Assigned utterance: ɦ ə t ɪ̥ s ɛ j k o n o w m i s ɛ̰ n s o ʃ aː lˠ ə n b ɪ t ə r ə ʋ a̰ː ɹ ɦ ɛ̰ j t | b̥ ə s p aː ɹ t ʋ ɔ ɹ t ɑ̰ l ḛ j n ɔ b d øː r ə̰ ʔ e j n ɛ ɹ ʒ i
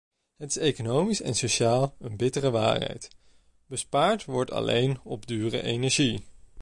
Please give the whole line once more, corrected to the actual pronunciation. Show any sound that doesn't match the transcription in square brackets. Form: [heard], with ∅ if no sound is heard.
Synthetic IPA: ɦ ə t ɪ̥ s [e] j k o n o w m i s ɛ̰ n s o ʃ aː lˠ ə n b ɪ t ə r ə ʋ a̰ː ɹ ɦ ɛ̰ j t | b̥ ə s p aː ɹ t ʋ ɔ ɹ t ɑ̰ l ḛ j n ɔ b d [yː] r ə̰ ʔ e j n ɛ ɹ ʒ i